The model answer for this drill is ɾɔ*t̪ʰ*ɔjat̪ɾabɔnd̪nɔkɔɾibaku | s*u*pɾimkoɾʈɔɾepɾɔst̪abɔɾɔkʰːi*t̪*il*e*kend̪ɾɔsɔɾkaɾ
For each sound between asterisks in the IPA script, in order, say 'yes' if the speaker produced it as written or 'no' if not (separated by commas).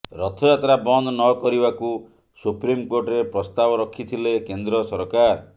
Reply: yes, yes, no, yes